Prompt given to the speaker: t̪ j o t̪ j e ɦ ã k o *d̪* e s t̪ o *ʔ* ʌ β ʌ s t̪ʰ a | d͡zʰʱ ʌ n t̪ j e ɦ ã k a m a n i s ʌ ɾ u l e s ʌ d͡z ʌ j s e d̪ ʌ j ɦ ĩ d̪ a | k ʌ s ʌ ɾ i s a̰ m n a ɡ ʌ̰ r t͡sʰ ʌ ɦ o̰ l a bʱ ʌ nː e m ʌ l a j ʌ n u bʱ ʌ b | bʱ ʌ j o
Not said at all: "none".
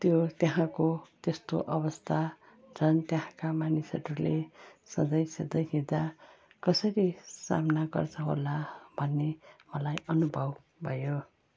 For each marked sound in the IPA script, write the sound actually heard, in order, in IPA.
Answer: t̪, ʔ

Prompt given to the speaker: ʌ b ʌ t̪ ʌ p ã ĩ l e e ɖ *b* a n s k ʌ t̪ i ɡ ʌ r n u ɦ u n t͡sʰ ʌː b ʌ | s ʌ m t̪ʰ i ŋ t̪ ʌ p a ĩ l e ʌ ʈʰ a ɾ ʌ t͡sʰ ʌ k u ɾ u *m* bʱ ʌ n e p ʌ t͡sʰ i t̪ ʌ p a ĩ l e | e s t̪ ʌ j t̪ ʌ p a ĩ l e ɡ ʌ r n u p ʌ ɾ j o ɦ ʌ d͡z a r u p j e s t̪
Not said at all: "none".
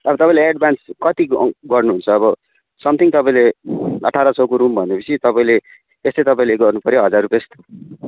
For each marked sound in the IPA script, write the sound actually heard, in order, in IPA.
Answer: b, m

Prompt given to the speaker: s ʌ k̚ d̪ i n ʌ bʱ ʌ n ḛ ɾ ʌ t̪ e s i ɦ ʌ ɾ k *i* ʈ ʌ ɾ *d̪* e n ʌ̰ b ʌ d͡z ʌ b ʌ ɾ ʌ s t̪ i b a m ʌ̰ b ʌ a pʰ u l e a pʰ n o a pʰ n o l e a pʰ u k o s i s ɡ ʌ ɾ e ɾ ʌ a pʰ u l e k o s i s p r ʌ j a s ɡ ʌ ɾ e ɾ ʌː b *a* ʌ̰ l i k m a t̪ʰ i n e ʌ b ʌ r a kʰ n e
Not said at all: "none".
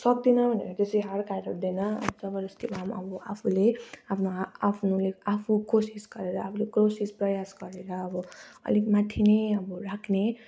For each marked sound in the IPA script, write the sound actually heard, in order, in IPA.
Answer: a, d̪, ʌ

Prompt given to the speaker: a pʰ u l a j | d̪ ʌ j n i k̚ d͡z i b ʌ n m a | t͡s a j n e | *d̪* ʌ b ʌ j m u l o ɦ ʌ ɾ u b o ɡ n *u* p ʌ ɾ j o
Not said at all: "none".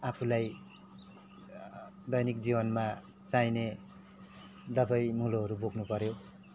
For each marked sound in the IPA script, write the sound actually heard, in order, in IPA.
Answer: d̪, u

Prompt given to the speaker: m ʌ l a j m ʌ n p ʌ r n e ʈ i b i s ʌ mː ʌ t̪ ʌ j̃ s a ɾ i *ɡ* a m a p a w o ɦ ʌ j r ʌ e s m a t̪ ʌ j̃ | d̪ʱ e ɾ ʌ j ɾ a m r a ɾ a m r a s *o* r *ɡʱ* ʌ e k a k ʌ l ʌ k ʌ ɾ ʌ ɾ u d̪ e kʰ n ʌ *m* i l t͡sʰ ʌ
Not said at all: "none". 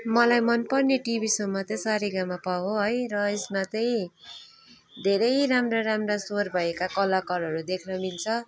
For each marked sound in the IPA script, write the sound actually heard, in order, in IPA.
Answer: ɡ, o, bʱ, m

